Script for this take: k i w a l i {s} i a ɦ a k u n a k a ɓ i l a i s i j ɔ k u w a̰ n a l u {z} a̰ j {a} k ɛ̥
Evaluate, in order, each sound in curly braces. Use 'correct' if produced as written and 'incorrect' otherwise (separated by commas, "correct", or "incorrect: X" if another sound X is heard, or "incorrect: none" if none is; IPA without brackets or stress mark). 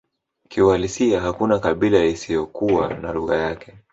correct, incorrect: ɣ, correct